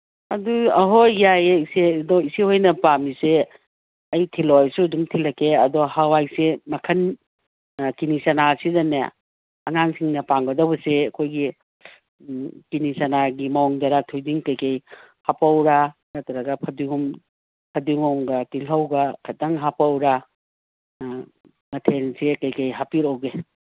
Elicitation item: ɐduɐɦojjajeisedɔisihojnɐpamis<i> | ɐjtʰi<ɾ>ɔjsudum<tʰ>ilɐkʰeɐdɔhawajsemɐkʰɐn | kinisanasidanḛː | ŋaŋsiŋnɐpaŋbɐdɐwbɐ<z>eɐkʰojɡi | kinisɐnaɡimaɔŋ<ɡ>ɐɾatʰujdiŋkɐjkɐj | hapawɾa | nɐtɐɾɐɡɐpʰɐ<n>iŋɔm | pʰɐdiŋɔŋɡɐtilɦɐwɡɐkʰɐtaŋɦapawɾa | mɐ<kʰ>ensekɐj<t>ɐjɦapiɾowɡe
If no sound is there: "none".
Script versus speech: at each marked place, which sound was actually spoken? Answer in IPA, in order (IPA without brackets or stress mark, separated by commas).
e, l, tʰ, s, d, d, tʰ, k